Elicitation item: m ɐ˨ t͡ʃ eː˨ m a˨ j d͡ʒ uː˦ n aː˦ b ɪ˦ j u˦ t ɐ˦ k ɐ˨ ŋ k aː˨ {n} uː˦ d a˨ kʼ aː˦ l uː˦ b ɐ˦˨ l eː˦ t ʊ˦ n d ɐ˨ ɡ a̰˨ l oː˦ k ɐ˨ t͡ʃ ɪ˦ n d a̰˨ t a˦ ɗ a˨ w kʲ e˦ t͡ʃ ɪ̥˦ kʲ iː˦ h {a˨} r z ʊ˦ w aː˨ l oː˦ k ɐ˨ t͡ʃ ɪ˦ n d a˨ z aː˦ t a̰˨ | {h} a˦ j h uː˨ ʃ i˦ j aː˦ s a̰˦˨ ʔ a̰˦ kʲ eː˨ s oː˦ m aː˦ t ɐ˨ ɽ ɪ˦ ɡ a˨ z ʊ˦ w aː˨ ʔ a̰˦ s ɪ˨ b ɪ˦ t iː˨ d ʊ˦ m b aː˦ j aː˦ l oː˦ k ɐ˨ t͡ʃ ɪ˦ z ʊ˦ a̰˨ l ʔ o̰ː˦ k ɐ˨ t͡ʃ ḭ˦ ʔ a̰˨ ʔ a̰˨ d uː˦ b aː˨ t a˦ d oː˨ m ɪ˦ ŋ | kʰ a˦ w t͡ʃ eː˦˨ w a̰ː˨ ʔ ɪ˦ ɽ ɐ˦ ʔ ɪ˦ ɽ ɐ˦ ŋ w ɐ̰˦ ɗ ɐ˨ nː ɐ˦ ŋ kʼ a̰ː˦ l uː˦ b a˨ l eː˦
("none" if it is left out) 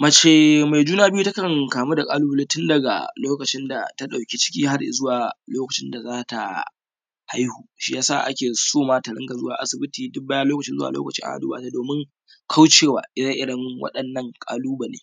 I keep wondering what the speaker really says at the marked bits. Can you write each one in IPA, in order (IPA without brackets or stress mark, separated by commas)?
m, a˦, h